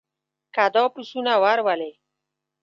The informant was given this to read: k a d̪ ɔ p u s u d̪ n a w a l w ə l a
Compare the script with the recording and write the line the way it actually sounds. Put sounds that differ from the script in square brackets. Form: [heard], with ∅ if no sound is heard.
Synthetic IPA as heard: k a d̪ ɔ p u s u [∅] n a w a [ɾ] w [a] l [e]